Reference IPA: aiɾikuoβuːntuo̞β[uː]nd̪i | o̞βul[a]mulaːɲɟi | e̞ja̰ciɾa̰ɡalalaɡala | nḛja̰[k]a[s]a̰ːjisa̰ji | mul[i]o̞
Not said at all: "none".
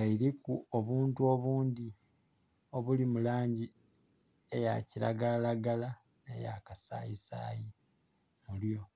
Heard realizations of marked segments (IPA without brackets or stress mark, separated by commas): uː, i, k, s, j